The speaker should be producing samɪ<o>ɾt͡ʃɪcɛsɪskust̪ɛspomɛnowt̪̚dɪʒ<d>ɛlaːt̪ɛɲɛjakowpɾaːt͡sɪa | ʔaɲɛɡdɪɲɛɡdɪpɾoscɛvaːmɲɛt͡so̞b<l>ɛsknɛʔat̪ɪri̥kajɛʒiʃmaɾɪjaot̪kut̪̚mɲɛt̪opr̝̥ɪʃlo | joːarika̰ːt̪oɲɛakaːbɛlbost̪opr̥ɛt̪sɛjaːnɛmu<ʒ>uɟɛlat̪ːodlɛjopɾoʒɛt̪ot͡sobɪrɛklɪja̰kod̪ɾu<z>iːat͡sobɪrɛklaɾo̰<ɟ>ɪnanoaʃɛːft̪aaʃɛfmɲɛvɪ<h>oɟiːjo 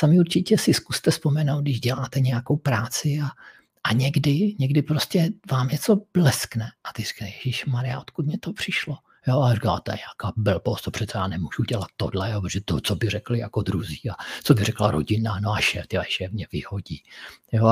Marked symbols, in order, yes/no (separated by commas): no, no, yes, yes, yes, yes, yes